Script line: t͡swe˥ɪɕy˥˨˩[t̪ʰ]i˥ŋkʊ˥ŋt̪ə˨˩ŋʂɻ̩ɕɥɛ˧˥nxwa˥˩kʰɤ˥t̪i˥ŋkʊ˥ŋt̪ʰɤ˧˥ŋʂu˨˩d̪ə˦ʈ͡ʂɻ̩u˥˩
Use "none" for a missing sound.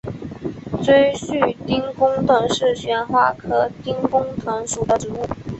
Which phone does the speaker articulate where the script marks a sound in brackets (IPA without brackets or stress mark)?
t̪